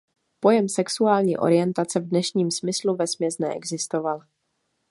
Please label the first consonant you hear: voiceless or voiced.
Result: voiceless